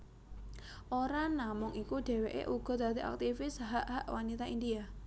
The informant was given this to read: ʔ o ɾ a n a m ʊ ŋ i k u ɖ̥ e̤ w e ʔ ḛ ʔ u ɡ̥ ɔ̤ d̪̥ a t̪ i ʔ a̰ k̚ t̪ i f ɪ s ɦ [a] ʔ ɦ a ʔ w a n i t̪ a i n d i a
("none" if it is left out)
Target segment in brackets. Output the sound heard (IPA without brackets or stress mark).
a